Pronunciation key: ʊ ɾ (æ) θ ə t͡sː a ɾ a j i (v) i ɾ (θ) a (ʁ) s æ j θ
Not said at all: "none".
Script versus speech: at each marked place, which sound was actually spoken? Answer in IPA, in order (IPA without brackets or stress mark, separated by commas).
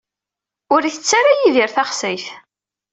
i, ð, θ, χ